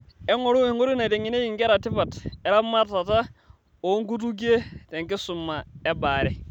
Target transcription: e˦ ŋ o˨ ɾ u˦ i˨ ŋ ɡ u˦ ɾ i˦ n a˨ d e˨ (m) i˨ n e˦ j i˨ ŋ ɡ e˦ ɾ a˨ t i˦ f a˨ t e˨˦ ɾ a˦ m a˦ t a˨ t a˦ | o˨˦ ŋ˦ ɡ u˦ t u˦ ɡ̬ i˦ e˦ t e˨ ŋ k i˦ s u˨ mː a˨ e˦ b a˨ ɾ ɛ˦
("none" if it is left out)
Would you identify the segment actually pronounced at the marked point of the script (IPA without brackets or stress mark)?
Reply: ŋ